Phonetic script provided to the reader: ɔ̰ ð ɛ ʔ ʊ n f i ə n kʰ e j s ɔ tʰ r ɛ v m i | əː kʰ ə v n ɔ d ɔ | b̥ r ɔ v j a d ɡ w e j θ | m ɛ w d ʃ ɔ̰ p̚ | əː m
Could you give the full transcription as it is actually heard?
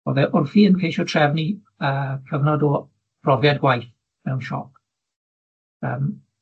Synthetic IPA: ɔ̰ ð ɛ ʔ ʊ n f i ə n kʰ e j ʃ ɔ tʰ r ɛ v n i | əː kʰ ə v n ɔ d ɔ | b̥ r ɔ v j a d ɡ w a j θ | m ɛ w n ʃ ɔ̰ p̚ | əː m